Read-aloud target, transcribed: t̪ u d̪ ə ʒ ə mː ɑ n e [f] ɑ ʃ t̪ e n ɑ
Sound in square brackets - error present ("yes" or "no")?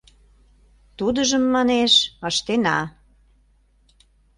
yes